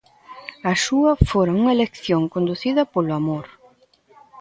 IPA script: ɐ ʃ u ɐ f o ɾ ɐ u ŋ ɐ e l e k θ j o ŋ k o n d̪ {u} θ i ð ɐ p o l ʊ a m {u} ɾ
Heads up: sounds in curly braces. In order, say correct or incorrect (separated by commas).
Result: correct, incorrect